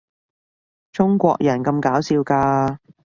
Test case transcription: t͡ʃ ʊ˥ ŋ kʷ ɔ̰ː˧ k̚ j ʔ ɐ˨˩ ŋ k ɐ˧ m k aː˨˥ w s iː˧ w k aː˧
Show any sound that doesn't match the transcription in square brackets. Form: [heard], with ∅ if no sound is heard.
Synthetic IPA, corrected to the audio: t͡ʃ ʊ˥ ŋ kʷ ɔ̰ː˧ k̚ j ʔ ɐ˨˩ [n] k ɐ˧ m k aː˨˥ w s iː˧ w k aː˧